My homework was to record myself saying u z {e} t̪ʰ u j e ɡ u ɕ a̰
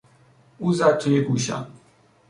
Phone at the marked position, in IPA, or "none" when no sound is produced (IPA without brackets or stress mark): a